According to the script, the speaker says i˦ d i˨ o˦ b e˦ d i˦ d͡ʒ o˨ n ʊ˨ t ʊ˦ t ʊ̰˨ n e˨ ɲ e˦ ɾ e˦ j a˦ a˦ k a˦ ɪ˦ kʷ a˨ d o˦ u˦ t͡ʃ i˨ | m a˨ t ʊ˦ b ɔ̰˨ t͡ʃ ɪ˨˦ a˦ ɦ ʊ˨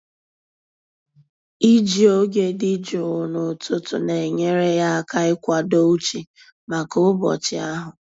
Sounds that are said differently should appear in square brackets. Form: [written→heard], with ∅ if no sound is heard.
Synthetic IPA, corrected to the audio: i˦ [d→d͡ʒ] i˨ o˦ [b→ɡ] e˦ d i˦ d͡ʒ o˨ n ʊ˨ t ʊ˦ t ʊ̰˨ n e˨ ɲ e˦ ɾ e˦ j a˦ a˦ k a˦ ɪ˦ kʷ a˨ d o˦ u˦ t͡ʃ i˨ | m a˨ [t→k] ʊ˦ b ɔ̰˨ t͡ʃ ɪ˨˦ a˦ ɦ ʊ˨